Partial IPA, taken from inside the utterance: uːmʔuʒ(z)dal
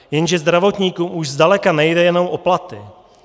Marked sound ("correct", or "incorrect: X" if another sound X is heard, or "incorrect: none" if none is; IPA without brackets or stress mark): correct